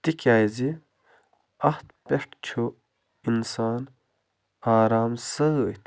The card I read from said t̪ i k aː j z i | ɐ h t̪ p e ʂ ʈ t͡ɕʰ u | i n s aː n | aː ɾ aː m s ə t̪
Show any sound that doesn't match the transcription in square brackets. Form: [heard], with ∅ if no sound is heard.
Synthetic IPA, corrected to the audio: t̪ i k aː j z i | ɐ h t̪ p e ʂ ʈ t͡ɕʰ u | i n s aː n | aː ɾ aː m s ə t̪